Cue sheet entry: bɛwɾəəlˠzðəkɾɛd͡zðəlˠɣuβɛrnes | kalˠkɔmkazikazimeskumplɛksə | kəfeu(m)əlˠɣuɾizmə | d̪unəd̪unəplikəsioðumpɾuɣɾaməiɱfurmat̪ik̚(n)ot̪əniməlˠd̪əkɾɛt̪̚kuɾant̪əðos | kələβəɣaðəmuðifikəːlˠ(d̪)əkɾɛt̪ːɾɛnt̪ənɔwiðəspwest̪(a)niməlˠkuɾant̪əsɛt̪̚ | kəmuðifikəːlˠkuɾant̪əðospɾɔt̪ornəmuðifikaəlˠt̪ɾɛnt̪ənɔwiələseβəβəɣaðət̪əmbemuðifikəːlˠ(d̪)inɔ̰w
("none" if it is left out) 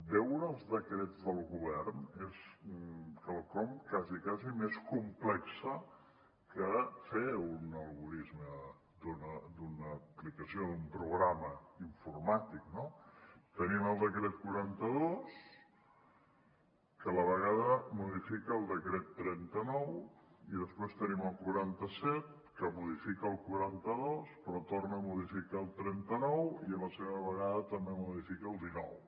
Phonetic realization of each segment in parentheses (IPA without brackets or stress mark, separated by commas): n, n, d̪, ə, d̪